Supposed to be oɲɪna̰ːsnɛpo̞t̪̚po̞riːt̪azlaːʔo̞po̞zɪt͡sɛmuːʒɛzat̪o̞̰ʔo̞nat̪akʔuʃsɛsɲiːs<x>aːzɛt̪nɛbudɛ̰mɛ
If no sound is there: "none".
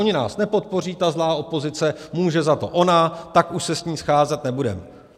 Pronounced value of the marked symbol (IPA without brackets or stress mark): x